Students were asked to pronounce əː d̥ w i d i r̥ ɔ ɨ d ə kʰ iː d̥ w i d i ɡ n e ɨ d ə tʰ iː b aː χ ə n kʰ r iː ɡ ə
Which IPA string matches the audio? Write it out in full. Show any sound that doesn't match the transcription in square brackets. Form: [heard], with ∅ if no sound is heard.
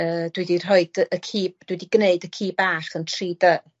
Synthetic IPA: əː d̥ w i d i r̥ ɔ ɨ d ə kʰ iː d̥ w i d i ɡ n e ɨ d ə [kʰ] iː b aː χ ə n [tʰ] r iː [d] ə